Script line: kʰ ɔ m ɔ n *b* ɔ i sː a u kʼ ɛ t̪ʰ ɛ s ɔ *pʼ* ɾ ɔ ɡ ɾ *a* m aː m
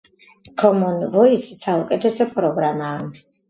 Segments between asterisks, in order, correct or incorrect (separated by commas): incorrect, correct, correct